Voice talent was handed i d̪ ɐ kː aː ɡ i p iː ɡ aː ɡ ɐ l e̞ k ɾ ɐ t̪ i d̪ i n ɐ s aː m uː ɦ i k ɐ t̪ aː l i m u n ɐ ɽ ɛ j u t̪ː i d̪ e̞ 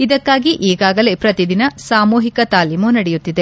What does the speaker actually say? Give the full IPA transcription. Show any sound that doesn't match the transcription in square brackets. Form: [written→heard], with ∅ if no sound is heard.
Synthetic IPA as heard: i d̪ ɐ kː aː ɡ i [p→ʔ] iː ɡ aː ɡ ɐ l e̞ [k→p] ɾ ɐ t̪ i d̪ i n ɐ s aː m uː ɦ i k ɐ t̪ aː l i m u n ɐ ɽ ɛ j u t̪ː i d̪ e̞